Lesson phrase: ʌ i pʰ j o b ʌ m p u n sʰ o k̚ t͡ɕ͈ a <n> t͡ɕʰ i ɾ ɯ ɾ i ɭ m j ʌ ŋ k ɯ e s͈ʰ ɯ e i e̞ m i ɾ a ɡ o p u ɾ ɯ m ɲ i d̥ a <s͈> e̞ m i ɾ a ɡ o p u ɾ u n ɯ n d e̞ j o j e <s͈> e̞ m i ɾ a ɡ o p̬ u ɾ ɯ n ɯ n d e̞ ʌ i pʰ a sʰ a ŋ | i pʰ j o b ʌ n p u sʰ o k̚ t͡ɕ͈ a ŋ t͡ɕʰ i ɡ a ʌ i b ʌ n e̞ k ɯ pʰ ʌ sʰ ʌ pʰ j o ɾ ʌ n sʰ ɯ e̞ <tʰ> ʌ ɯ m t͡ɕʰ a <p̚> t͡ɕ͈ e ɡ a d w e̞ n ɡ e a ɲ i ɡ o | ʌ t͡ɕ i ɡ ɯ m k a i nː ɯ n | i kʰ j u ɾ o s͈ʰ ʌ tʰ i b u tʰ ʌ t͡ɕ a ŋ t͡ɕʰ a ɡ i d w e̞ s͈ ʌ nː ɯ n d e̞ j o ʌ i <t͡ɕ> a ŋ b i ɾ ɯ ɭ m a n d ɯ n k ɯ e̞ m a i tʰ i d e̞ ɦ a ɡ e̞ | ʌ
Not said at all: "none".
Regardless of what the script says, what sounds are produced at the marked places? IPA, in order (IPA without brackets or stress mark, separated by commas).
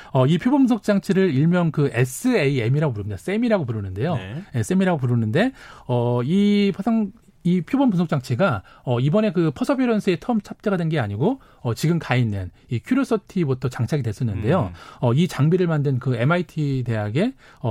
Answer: ŋ, s͈, s͈, tʰ, p̚, t͡ɕ